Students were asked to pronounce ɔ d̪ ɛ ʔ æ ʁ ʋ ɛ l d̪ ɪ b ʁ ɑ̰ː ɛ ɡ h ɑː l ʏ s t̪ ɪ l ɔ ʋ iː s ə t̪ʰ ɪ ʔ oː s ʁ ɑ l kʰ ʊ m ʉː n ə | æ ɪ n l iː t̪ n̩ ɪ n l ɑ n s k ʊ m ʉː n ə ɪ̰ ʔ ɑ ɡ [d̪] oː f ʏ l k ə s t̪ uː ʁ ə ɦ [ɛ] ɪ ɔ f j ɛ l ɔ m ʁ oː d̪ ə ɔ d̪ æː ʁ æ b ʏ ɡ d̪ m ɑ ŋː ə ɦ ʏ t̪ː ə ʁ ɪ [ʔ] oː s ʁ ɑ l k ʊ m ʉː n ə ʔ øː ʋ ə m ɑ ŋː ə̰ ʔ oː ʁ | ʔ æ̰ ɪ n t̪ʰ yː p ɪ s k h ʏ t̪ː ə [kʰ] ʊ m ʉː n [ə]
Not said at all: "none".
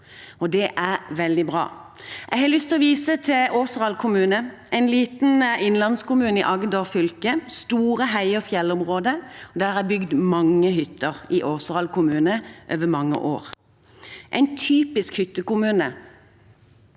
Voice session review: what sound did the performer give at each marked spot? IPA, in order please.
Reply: d̪, æ, ʔ, k, ə

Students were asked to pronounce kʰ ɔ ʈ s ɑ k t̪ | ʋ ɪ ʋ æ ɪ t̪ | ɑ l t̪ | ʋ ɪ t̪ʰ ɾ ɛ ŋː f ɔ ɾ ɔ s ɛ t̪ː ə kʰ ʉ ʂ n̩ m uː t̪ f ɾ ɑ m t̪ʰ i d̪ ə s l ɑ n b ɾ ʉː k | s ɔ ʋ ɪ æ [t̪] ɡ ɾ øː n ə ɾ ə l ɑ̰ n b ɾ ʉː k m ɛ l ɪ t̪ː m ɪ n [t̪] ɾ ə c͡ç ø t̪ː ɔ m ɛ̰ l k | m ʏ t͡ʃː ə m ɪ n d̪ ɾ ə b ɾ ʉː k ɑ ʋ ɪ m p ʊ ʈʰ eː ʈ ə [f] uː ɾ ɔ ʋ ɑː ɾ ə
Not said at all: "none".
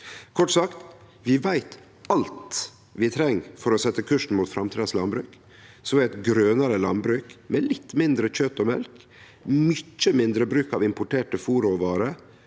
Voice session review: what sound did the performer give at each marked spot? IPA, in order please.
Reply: t̪, d̪, f

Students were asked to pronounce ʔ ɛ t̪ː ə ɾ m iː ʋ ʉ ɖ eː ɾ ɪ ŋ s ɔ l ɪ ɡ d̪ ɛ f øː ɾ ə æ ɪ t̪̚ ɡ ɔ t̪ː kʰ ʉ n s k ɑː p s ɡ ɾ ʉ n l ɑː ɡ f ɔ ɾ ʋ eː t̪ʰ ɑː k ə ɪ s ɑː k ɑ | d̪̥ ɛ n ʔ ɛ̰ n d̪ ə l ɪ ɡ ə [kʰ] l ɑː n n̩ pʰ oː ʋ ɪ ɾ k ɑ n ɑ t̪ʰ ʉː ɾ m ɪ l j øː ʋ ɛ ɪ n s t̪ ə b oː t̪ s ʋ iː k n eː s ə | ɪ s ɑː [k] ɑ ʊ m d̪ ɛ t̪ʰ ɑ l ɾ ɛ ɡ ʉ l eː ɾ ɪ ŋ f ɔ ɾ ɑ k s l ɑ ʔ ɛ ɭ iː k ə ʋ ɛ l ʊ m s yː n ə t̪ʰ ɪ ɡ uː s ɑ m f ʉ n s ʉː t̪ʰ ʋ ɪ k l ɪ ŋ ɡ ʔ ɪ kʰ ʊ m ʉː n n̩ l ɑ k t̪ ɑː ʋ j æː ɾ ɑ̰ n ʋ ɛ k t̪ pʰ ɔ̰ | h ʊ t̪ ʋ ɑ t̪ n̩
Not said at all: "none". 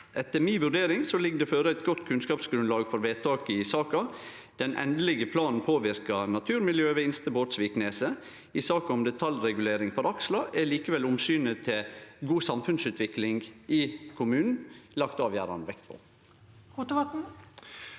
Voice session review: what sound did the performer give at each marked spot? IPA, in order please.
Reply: pʰ, k

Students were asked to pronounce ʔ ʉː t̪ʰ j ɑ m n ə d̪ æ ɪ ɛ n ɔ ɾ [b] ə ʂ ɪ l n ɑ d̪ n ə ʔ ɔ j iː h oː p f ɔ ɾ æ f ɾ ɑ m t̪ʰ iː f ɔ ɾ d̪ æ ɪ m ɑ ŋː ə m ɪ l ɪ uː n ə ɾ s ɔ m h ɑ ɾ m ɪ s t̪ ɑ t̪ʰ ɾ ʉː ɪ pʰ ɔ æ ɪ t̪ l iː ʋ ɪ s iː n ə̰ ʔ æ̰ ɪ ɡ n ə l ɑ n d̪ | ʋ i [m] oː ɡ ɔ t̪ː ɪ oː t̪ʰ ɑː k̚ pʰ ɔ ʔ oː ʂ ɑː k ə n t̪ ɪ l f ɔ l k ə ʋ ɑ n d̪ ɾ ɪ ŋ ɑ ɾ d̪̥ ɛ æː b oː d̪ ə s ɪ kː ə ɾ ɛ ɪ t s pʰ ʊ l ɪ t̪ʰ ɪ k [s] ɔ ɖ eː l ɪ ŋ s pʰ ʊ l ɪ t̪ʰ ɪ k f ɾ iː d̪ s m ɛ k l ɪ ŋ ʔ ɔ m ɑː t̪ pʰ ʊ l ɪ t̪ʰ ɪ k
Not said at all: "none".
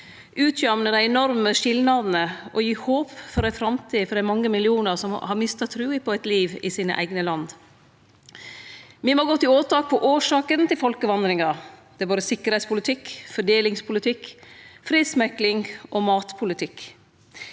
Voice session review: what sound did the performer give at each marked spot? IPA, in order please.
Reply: m, m, f

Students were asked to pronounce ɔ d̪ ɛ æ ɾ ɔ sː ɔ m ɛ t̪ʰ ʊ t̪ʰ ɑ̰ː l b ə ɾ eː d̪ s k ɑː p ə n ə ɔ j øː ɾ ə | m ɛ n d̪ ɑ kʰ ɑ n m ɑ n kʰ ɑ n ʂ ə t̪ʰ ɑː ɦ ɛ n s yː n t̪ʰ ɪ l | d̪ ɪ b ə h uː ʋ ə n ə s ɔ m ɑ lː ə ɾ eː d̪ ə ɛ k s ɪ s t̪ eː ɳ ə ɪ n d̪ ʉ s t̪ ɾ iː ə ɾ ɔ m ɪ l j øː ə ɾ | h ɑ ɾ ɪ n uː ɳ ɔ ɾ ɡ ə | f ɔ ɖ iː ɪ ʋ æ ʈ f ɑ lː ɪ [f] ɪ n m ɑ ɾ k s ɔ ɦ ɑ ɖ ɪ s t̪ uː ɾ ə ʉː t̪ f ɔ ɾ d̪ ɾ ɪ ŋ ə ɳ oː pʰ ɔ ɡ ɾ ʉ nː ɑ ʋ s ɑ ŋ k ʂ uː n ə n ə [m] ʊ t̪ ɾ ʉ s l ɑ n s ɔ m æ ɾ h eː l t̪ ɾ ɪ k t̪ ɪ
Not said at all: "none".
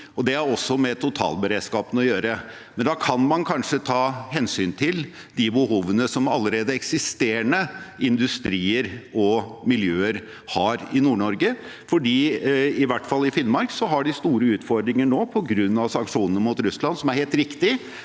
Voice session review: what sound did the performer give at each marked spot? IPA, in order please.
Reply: f, m

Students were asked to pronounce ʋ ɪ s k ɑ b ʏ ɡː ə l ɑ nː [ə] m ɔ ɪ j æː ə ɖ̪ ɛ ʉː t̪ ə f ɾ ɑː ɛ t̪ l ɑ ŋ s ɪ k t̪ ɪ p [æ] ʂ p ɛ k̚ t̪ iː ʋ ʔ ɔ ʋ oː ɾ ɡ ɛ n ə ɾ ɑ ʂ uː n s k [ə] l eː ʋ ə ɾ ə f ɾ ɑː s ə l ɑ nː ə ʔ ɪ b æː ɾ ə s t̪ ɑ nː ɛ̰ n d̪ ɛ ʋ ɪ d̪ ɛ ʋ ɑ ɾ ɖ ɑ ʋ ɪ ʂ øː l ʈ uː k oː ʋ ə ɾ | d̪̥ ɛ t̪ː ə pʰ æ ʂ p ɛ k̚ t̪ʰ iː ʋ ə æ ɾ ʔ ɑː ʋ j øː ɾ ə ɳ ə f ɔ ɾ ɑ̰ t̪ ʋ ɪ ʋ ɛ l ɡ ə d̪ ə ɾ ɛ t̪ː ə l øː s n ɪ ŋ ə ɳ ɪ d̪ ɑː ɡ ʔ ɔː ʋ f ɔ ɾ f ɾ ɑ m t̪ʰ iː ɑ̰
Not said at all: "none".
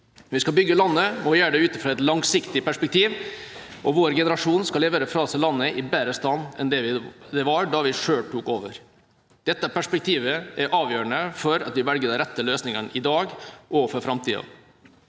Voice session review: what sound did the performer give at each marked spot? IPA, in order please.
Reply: ə, æ, ɑ

